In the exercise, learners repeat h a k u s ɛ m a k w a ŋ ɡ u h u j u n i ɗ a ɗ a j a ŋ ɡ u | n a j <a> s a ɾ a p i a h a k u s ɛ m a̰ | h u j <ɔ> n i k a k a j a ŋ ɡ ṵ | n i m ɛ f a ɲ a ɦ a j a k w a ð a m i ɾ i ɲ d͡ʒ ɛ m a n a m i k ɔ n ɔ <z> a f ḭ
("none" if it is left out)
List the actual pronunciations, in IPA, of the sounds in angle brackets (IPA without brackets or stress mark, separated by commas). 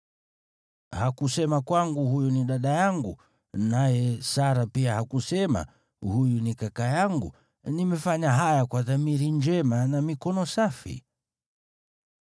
ɛ, u, s